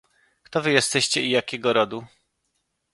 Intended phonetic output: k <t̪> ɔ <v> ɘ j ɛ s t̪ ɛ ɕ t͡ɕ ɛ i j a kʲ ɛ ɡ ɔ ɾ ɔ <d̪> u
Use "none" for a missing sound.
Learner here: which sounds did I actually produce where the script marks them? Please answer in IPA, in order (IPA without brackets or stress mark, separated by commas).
t̪, v, d̪